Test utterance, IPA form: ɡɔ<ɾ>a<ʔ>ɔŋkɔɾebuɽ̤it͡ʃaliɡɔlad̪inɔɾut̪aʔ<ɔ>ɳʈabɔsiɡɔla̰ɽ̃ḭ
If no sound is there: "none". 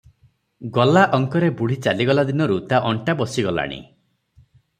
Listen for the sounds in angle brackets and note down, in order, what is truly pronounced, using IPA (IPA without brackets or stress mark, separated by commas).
l, ʔ, ɔ